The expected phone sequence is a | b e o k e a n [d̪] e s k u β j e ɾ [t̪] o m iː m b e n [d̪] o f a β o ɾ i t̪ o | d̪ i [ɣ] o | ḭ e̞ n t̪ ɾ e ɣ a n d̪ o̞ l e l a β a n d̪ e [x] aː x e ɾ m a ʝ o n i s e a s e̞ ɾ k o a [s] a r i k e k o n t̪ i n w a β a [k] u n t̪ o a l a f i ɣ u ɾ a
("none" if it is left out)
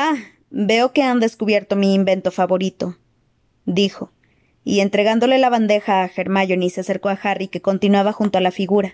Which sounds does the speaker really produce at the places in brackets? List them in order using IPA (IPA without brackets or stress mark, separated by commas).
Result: d̪, t̪, t̪, x, x, x, x